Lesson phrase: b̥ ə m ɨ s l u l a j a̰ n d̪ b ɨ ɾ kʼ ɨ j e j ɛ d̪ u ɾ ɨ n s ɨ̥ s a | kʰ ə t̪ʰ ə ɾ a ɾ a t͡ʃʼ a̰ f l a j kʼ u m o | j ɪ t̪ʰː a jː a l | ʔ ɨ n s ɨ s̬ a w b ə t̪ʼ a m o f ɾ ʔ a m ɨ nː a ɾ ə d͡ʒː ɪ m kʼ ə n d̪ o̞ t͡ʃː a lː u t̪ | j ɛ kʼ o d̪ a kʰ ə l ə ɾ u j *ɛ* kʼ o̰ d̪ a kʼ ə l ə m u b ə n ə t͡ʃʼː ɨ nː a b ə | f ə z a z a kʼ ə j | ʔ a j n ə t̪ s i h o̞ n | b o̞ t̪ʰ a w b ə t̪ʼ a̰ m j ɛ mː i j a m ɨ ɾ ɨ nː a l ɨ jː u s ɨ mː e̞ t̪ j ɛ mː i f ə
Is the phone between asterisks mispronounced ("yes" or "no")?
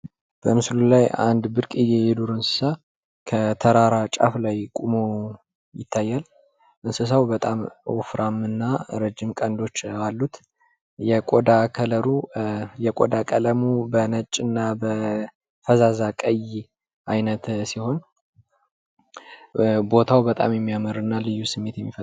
no